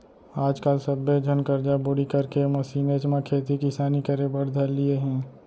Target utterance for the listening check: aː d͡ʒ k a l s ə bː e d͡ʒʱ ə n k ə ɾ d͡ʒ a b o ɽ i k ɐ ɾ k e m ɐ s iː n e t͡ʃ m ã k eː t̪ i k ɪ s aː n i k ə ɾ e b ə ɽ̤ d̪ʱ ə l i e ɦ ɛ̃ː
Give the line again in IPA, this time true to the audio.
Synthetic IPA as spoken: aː d͡ʒ k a l s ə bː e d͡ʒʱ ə n k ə ɾ d͡ʒ a b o ɽ i k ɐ ɾ k e m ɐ s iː n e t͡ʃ m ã kʰ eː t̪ i k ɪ s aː n i k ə ɾ e b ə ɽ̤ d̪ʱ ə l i e ɦ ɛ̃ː